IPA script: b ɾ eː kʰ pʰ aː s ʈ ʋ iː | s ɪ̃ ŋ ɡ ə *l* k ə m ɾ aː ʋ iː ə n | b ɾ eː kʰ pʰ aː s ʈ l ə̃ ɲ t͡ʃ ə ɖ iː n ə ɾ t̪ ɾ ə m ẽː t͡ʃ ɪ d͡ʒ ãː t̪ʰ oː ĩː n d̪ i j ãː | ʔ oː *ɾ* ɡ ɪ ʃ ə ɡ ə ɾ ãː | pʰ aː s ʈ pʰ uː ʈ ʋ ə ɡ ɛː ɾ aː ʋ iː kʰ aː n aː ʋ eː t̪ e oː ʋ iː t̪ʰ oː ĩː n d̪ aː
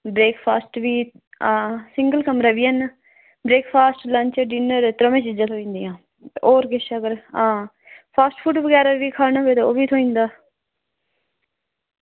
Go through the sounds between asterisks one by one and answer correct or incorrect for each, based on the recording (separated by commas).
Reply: correct, correct